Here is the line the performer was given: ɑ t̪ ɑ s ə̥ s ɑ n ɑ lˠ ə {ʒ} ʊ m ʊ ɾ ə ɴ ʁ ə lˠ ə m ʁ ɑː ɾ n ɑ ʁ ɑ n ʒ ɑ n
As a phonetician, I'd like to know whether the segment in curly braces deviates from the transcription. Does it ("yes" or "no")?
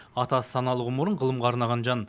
yes